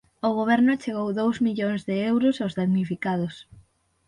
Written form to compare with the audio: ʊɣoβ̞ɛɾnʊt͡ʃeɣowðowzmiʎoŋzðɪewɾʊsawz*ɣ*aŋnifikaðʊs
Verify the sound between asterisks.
incorrect: ð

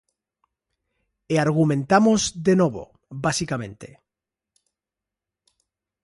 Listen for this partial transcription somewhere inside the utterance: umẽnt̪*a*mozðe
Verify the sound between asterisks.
correct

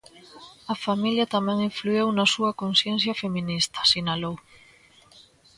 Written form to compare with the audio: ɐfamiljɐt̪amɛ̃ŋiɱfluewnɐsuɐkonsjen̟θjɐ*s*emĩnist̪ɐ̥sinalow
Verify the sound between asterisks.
incorrect: f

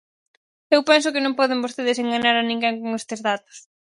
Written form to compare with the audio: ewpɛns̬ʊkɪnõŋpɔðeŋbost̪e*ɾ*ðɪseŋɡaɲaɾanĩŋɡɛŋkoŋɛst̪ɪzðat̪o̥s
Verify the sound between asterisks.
incorrect: none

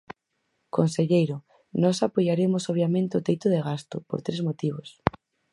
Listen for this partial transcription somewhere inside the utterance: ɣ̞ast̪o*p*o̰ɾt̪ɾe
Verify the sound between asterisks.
correct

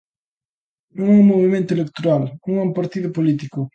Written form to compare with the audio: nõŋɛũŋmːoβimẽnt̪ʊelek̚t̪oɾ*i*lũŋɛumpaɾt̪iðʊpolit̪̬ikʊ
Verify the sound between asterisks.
incorrect: a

